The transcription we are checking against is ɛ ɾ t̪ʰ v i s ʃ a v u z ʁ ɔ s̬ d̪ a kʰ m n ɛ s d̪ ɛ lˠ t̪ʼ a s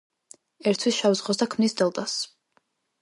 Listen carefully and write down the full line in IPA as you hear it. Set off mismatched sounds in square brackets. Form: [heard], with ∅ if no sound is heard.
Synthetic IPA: ɛ ɾ t̪ʰ [w] i s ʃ a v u z ʁ ɔ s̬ d̪ a kʰ m n [i] s d̪ ɛ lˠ t̪ʼ a s